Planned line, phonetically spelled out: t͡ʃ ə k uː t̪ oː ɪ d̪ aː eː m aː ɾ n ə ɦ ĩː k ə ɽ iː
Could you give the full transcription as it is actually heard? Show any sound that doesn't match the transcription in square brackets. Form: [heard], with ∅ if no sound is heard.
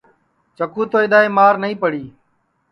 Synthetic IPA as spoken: t͡ʃ ə k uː t̪ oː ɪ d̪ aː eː m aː ɾ n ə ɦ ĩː [p] ə ɽ iː